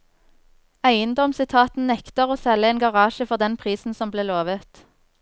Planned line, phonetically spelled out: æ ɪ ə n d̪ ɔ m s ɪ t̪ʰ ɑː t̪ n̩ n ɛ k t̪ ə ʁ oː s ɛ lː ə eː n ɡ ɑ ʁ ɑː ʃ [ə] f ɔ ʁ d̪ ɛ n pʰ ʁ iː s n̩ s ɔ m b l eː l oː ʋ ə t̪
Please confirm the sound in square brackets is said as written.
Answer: yes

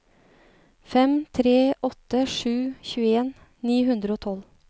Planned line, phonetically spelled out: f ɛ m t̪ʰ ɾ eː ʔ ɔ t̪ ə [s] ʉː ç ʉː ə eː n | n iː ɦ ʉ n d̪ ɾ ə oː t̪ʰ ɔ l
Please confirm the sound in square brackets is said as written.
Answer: no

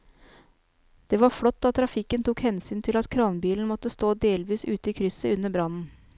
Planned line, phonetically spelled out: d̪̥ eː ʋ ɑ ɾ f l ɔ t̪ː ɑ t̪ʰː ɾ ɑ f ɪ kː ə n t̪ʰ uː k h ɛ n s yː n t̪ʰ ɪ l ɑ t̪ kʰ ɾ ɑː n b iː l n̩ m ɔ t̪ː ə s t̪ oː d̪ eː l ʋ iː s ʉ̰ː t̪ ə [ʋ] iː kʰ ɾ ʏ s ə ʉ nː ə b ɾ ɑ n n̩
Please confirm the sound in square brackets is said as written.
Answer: no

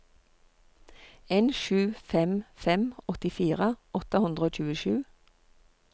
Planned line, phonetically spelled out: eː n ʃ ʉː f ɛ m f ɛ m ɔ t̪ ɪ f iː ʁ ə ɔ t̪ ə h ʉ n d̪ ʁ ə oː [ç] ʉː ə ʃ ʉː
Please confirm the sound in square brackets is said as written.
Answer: no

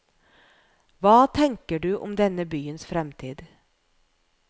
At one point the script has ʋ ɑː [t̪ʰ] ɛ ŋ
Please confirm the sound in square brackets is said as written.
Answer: yes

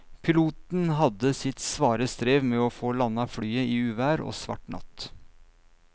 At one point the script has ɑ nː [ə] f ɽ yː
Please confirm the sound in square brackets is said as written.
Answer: no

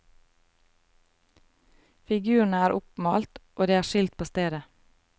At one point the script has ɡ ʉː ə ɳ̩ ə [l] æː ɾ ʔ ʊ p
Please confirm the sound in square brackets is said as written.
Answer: no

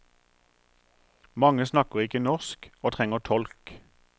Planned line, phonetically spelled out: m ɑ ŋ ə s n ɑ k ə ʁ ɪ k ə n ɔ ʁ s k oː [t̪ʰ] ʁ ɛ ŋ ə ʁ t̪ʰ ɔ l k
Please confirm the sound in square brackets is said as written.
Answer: yes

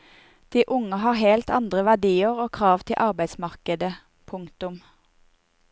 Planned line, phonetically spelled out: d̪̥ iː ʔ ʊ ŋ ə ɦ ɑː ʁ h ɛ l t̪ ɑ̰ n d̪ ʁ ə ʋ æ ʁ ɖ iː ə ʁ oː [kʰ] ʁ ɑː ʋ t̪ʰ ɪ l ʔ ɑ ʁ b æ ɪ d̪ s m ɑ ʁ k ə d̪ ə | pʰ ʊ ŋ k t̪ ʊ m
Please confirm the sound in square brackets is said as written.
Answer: yes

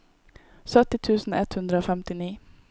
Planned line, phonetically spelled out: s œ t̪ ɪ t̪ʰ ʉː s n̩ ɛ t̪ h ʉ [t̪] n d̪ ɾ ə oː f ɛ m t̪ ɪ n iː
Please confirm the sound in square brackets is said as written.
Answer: no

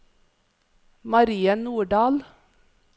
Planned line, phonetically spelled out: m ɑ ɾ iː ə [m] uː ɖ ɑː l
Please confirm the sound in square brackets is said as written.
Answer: no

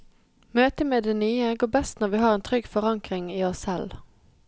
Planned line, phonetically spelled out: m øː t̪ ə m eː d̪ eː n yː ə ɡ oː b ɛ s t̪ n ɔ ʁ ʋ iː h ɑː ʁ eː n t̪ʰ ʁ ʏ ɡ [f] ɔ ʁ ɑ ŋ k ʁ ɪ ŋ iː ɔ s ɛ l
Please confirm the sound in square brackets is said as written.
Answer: yes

